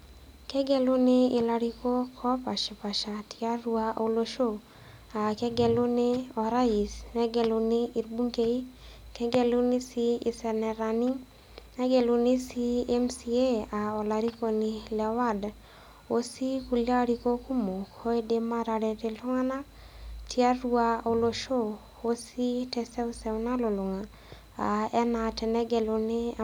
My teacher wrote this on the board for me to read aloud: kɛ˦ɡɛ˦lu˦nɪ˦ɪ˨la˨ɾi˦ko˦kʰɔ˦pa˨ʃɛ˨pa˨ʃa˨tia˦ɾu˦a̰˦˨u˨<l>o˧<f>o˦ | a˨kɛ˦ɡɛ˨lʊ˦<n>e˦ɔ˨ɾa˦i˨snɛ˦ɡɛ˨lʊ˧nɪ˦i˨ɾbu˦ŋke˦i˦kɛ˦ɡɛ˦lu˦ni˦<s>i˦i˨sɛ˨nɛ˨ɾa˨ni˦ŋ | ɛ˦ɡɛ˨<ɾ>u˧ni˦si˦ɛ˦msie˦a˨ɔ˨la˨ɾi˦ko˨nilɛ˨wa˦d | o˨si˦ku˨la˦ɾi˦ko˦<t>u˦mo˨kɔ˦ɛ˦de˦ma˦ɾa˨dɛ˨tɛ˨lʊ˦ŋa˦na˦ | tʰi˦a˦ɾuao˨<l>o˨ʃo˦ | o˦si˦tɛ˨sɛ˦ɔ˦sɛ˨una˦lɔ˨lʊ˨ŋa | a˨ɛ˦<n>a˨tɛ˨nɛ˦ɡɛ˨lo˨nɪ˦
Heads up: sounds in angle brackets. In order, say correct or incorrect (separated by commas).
correct, incorrect, correct, correct, incorrect, incorrect, correct, correct